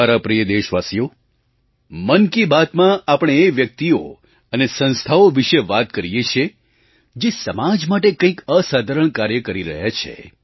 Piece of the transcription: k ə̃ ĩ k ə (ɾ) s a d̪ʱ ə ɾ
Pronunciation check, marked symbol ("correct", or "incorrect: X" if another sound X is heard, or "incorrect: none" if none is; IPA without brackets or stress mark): incorrect: none